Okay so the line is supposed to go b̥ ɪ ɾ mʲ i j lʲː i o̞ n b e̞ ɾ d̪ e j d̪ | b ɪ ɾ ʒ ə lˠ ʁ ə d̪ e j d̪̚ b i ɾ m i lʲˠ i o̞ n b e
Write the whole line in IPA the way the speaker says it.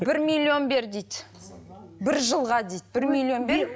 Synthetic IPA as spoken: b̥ ɪ ɾ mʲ i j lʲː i o̞ n b e̞ ɾ d̪ e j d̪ | b ɪ ɾ ʒ ə lˠ ʁ ɑ d̪ e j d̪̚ b ɪ ɾ m i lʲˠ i o̞ n b e